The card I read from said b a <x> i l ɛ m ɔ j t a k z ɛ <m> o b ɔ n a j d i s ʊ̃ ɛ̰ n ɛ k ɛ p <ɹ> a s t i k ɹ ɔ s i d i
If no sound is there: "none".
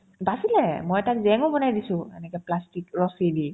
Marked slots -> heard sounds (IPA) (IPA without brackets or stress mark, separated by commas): s, ŋ, l